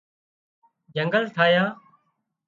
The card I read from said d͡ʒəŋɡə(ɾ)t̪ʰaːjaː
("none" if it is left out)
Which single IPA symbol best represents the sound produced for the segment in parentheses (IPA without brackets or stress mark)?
l